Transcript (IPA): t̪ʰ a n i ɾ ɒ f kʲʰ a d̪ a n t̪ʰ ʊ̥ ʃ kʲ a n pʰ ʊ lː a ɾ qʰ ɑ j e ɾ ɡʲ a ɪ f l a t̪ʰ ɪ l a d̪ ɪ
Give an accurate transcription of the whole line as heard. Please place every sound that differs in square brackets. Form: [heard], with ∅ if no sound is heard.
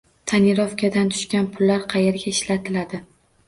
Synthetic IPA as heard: t̪ʰ a n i ɾ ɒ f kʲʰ a d̪ a n t̪ʰ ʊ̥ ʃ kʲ a n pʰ ʊ lː a ɾ qʰ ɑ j e ɾ ɡʲ a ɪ [ʃ] l a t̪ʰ ɪ l a d̪ ɪ